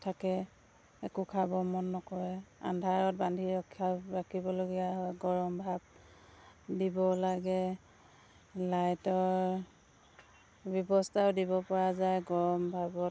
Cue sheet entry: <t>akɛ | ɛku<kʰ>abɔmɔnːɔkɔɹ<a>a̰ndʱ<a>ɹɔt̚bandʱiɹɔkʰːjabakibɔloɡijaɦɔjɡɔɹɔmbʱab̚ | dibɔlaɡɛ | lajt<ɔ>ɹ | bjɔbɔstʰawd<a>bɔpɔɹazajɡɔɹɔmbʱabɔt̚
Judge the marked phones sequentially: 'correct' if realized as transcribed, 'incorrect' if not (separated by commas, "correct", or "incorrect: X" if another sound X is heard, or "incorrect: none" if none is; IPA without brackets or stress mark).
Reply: incorrect: tʰ, correct, incorrect: ɛ, correct, correct, incorrect: i